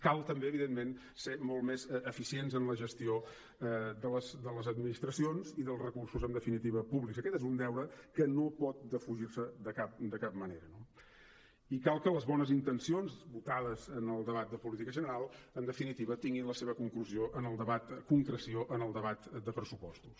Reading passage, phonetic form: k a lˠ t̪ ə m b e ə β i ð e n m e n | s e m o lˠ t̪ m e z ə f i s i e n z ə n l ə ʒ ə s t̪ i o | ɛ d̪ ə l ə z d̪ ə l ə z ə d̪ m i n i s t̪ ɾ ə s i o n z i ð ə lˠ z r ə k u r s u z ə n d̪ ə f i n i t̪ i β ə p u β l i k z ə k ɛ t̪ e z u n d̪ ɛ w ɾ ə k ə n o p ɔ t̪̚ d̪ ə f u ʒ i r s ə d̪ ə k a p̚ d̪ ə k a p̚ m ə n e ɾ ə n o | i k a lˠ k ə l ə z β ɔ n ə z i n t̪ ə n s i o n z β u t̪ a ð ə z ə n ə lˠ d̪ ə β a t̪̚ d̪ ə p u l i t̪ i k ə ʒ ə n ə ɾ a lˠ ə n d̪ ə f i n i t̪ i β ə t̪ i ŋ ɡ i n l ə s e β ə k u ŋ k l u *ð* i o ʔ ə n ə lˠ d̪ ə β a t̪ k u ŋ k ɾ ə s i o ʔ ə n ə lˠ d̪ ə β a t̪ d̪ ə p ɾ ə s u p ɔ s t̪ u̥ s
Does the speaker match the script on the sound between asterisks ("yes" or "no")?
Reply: no